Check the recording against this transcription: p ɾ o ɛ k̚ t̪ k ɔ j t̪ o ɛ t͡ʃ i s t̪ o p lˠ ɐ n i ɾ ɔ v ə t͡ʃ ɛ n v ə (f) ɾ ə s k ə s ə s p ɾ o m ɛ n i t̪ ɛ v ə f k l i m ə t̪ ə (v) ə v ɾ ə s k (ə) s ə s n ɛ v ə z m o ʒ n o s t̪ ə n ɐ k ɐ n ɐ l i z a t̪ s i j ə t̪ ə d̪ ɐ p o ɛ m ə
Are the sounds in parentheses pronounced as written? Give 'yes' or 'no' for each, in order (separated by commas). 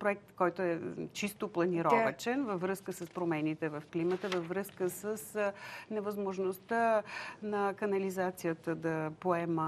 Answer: no, yes, yes